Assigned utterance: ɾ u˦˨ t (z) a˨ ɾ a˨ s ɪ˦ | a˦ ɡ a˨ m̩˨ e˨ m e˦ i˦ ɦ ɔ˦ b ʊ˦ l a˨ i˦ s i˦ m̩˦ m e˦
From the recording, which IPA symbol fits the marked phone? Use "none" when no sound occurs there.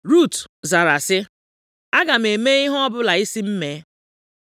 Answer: z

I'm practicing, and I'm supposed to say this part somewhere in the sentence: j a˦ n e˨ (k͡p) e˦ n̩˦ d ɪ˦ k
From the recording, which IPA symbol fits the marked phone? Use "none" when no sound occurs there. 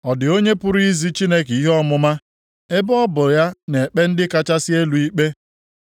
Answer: k͡p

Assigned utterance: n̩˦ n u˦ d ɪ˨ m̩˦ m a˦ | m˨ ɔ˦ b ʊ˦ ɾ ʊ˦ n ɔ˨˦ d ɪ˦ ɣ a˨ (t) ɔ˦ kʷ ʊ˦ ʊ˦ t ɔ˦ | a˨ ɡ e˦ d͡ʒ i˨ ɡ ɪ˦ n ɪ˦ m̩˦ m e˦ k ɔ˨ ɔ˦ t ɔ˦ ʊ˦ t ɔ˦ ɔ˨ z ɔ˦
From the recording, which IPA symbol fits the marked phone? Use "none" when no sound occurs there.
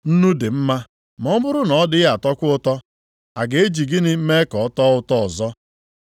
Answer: t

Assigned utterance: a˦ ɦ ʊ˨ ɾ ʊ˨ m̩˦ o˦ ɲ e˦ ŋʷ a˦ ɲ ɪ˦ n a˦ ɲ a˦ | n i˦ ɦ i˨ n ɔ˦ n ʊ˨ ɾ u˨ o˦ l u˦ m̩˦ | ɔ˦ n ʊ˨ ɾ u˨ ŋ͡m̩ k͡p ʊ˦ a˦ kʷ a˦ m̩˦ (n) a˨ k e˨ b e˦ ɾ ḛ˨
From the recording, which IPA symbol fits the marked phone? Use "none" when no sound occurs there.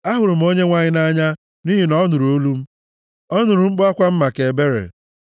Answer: m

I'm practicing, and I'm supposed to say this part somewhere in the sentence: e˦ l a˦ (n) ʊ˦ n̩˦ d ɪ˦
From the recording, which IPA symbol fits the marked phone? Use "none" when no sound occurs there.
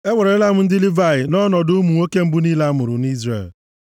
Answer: m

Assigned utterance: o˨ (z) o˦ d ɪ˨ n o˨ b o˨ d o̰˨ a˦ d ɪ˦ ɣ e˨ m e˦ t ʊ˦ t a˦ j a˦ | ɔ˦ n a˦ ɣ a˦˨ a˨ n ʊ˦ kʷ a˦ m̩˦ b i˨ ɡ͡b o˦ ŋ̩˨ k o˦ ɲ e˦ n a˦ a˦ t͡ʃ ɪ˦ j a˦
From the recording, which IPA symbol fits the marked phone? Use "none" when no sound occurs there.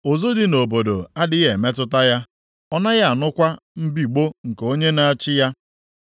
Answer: z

